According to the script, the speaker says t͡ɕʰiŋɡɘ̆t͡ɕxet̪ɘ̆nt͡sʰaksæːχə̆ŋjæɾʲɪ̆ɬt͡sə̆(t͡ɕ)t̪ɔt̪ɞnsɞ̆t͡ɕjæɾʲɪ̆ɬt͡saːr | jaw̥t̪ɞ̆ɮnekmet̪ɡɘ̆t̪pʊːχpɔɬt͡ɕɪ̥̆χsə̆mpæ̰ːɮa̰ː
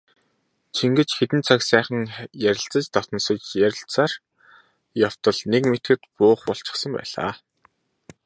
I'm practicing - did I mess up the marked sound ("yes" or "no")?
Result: no